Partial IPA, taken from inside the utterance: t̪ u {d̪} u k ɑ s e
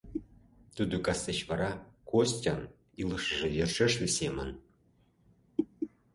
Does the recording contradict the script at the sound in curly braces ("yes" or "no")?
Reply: no